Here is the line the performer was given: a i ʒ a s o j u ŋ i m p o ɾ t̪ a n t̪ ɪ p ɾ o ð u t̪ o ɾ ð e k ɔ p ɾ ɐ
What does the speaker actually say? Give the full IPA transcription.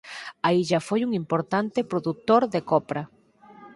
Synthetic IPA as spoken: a i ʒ a f o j u ŋ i m p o ɾ t̪ a n t̪ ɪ p ɾ o ð u t̪ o ɾ ð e k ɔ p ɾ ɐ